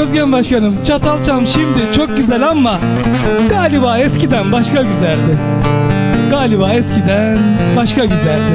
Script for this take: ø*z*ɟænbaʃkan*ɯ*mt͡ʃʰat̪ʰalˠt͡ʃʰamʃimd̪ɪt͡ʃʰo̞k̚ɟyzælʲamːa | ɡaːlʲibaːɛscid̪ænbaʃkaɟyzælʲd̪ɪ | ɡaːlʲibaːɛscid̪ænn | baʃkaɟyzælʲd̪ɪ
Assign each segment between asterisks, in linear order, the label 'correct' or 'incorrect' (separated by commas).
correct, correct